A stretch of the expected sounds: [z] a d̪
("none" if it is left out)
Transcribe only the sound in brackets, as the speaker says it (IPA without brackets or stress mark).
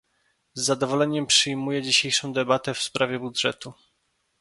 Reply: zː